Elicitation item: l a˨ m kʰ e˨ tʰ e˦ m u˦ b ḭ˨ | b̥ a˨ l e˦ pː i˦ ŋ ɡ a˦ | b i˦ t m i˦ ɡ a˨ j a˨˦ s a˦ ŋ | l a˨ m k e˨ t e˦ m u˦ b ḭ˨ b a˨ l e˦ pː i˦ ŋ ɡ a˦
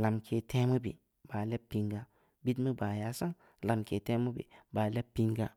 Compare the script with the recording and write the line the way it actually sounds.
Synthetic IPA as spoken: l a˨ m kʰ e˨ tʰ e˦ m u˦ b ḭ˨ | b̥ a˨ l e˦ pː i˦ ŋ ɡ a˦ | b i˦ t m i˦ b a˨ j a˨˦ s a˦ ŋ | l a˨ m k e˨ t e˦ m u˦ b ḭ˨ b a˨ l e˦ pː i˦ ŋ ɡ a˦